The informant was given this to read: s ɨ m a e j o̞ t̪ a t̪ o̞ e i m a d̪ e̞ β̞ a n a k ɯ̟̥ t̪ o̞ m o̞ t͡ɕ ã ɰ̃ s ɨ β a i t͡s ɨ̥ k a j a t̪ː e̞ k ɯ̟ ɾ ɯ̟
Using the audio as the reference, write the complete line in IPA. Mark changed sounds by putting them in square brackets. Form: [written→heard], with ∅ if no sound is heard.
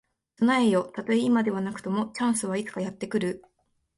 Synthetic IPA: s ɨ [m→n] a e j o̞ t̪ a t̪ o̞ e i m a d̪ e̞ β̞ a n a k ɯ̟̥ t̪ o̞ m o̞ t͡ɕ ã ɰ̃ s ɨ β a i t͡s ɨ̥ k a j a t̪ː e̞ k ɯ̟ ɾ ɯ̟